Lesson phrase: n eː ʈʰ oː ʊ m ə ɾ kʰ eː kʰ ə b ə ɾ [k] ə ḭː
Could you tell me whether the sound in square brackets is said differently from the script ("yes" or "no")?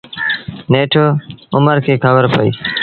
yes